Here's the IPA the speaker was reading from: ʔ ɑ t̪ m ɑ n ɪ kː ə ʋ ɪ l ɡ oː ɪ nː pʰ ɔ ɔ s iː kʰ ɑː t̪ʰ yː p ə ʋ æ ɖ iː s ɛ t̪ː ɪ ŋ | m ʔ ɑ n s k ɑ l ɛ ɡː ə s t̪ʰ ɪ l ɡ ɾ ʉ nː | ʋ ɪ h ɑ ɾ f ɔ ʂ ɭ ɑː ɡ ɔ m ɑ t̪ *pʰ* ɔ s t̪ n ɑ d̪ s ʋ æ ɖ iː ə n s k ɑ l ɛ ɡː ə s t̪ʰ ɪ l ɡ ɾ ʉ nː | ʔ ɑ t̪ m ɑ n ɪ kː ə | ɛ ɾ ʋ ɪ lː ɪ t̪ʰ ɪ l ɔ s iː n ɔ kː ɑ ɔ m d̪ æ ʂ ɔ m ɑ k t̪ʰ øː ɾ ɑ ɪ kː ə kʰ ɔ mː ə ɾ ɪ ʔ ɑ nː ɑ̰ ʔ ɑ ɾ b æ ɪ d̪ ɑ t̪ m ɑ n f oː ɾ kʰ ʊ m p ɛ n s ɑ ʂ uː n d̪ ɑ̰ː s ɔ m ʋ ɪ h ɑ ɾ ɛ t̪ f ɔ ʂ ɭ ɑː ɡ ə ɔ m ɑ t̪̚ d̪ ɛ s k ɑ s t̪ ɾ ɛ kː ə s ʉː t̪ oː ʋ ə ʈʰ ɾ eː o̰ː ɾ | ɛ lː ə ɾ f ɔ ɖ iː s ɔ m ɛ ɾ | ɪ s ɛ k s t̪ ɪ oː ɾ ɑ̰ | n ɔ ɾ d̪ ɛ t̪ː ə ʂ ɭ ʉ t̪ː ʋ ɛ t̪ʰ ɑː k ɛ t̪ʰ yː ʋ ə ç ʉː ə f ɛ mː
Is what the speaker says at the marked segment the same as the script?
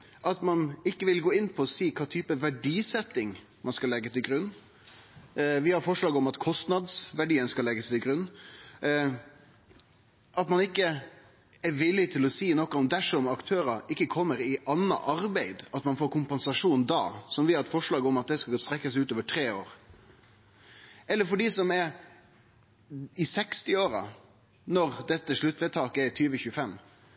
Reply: no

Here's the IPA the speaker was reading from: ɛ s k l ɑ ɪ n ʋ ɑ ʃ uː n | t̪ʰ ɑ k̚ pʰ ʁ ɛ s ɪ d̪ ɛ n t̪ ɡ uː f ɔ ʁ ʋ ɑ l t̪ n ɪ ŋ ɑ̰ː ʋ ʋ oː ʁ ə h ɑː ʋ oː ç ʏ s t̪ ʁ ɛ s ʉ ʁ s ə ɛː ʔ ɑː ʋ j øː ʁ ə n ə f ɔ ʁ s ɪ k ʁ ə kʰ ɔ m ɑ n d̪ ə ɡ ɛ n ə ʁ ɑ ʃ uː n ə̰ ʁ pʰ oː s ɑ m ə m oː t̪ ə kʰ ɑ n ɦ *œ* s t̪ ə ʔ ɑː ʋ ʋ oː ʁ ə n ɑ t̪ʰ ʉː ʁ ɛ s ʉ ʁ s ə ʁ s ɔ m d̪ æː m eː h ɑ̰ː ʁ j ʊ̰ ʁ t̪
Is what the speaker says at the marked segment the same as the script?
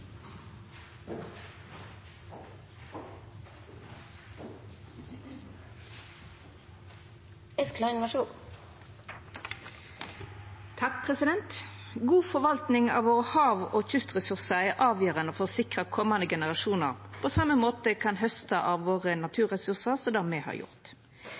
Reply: yes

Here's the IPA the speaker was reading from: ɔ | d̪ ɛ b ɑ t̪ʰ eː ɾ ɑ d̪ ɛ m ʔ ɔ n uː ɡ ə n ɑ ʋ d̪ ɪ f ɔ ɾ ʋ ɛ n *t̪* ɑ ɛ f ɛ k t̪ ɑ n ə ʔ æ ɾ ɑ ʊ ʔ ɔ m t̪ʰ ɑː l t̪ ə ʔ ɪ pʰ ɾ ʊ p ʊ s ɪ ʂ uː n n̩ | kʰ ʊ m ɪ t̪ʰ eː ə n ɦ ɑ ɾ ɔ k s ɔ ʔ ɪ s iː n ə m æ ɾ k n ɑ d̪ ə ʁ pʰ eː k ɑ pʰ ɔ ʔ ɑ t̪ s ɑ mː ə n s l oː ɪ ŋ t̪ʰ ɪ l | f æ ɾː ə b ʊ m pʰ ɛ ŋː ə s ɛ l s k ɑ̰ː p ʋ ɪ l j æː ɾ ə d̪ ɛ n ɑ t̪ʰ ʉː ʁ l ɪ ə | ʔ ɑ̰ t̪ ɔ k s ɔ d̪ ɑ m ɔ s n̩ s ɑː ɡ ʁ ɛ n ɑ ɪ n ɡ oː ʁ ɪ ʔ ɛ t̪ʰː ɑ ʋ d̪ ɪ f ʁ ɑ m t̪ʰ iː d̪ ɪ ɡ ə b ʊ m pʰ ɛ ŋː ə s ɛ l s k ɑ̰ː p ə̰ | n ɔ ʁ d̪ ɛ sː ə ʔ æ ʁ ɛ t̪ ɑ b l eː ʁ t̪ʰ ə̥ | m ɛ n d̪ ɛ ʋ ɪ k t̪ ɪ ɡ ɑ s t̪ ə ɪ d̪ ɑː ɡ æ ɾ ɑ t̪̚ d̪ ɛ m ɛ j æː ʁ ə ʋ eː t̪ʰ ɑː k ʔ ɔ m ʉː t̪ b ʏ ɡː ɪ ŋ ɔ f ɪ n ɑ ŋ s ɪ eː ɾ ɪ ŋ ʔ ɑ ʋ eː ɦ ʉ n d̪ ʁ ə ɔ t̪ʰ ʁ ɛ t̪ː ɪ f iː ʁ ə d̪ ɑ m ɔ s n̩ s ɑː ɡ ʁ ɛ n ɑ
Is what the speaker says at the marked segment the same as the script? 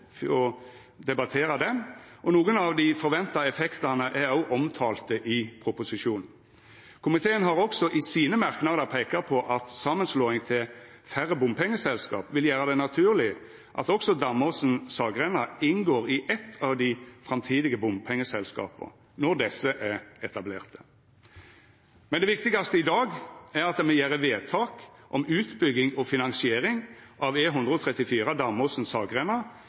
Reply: yes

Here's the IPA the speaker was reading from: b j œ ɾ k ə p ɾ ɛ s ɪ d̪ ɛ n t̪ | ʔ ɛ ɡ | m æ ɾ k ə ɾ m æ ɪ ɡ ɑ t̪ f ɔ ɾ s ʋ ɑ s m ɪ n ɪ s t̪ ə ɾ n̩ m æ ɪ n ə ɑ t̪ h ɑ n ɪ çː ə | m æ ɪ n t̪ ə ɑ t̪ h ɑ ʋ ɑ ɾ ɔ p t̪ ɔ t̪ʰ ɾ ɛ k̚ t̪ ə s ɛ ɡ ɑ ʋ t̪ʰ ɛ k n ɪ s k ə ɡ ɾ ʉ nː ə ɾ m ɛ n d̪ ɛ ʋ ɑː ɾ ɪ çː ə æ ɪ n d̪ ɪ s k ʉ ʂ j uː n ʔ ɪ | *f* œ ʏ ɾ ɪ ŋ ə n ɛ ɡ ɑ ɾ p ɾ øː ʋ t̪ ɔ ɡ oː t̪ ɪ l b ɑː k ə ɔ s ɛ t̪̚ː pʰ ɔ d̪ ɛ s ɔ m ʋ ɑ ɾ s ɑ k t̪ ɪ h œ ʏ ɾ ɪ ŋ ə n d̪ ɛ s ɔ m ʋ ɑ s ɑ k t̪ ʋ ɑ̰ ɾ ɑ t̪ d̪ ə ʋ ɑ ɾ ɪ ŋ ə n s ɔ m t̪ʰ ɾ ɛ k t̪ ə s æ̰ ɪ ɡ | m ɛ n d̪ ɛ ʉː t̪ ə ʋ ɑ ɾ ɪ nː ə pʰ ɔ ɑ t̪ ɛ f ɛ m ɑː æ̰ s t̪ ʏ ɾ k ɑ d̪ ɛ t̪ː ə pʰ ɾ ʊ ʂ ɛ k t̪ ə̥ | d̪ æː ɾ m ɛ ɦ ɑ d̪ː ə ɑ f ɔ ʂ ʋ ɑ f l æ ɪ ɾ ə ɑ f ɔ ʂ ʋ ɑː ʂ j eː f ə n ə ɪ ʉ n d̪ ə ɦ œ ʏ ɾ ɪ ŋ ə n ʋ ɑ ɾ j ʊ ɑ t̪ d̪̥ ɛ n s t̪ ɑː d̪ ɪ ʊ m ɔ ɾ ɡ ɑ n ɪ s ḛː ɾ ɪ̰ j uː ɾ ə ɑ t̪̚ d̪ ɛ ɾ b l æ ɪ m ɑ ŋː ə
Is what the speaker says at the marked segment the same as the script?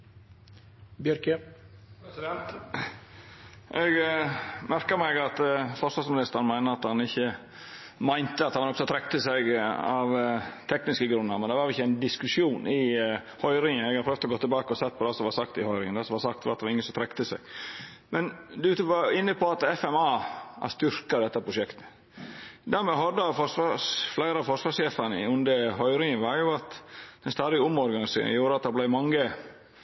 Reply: no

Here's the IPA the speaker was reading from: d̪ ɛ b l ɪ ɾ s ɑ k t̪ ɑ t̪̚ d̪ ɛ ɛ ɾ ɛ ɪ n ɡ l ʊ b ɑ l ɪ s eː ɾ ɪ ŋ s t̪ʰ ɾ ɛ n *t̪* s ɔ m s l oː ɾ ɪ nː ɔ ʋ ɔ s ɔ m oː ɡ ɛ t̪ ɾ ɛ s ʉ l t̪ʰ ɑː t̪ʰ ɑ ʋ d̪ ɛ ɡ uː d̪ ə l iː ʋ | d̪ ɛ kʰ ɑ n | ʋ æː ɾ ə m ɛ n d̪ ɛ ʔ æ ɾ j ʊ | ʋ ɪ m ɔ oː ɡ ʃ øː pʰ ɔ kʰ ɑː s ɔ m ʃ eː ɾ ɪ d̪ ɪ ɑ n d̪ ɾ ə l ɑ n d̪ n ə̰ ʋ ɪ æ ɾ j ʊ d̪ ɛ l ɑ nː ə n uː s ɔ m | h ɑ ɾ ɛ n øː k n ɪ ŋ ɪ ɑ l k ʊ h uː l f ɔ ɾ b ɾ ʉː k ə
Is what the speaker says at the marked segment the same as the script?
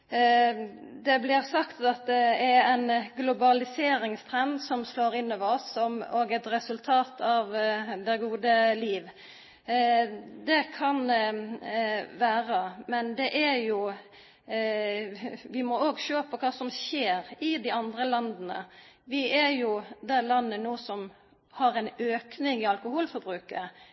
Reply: no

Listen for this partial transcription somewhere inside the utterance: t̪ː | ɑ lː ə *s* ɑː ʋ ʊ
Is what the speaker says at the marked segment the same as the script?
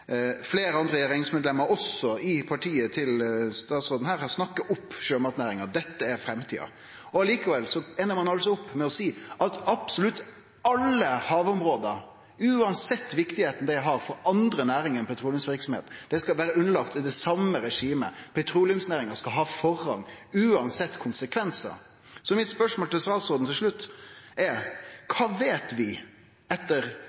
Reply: no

